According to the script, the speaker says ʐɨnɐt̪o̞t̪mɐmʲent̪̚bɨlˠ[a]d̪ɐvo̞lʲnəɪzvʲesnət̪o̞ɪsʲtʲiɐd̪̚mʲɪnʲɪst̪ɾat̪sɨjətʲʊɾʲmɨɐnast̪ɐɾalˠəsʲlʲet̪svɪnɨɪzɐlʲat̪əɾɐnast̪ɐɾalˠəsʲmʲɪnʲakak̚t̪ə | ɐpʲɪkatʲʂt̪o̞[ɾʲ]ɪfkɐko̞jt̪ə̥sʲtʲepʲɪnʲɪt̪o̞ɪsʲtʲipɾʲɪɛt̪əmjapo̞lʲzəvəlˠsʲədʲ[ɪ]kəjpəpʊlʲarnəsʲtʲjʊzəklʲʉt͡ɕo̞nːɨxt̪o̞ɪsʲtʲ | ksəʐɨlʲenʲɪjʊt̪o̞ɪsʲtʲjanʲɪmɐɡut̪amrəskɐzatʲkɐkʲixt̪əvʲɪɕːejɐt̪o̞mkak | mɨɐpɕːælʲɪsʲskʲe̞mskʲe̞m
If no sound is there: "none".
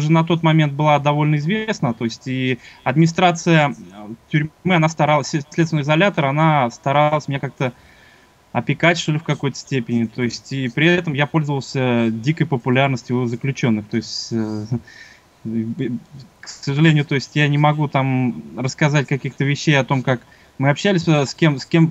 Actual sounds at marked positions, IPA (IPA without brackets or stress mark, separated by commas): a, lʲ, i